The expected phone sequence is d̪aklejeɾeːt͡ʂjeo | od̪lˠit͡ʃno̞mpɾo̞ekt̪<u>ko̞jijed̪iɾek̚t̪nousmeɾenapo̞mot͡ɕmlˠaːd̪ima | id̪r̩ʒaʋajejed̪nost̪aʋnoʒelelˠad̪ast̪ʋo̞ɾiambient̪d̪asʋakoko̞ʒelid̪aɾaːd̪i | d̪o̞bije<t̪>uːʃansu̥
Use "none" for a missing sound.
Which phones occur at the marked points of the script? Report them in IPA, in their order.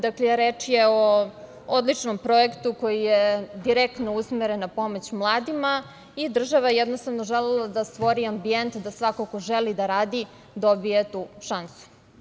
u, t̪

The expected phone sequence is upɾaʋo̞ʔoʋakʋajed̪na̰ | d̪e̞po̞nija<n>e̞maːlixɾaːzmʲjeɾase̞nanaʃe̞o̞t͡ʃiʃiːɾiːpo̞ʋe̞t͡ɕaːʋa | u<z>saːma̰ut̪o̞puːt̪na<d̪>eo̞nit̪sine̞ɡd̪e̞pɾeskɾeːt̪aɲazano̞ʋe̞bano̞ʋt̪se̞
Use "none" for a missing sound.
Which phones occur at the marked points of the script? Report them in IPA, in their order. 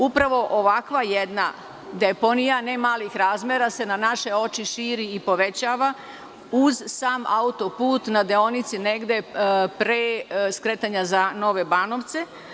n, z, d̪

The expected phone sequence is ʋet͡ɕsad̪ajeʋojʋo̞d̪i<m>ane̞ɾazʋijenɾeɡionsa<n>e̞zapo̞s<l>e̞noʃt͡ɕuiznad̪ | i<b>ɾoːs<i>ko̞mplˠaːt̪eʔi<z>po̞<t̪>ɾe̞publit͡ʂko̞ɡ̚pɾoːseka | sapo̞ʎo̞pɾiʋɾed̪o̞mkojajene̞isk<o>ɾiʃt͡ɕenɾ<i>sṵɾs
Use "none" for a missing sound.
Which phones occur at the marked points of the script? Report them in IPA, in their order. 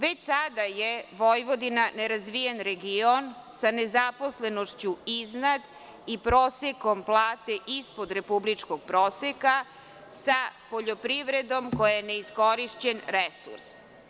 n, n, l, p, e, s, d̪, o, e

